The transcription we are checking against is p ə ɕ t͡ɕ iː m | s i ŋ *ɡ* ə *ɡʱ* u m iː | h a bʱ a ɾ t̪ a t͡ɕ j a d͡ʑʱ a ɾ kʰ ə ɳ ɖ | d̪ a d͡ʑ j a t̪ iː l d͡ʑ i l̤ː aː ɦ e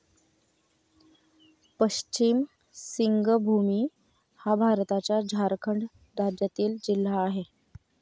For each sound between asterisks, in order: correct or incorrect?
correct, incorrect: bʱ

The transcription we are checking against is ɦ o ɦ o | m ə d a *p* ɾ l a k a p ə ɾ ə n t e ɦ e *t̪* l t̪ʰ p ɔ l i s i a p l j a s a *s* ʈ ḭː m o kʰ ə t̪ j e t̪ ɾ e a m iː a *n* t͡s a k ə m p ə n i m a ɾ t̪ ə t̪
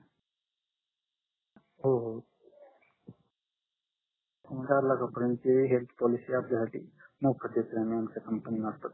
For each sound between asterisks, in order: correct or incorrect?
incorrect: none, incorrect: none, incorrect: none, incorrect: m

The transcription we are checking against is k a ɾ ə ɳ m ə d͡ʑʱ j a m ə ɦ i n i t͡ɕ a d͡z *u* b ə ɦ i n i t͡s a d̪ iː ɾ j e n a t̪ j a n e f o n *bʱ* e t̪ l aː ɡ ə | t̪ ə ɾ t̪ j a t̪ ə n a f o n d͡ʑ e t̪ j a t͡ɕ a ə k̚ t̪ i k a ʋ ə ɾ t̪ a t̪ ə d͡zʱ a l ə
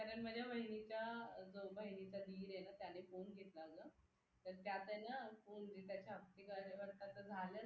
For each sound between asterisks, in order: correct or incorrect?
incorrect: o, incorrect: ɡʱ

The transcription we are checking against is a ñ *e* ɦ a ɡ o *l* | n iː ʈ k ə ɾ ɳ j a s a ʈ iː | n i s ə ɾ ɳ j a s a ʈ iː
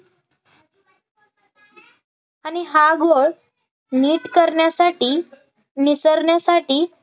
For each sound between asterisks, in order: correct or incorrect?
incorrect: i, incorrect: ɭ

